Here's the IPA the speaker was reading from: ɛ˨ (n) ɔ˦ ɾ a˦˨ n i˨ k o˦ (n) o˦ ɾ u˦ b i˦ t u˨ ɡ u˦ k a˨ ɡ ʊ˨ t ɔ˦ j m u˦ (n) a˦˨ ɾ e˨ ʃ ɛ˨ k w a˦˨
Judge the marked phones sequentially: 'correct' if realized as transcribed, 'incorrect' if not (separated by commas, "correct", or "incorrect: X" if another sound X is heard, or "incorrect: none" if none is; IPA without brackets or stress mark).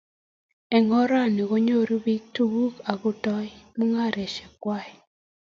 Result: incorrect: ŋ, incorrect: ɲ, incorrect: ŋ